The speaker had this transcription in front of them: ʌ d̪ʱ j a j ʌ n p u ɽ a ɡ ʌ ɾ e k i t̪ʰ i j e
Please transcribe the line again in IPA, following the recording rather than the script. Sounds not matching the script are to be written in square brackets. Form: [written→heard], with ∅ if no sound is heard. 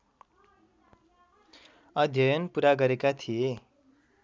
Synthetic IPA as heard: ʌ d̪ʱ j [a→ʌ] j ʌ n p u [ɽ→ɾ] a ɡ ʌ ɾ e k [i→a] t̪ʰ i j e